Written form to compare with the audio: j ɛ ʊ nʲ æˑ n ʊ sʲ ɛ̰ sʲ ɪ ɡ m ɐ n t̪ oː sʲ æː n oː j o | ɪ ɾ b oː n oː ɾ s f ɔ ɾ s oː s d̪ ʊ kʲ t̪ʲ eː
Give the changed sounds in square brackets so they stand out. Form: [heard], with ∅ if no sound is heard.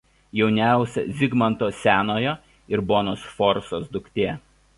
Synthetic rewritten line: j ɛ ʊ nʲ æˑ [∅] ʊ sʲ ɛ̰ [zʲ] ɪ ɡ m ɐ n t̪ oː sʲ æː n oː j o | ɪ ɾ b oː n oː [∅] s f ɔ ɾ s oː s d̪ ʊ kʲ t̪ʲ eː